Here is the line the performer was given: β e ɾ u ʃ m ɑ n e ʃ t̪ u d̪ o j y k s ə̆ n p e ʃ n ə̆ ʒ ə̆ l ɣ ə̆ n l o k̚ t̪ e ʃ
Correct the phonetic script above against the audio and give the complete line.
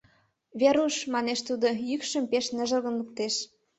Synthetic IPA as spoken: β e ɾ u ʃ m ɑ n e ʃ t̪ u d̪ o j y k ʃ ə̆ m p e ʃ n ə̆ ʒ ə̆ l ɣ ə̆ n l u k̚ t̪ e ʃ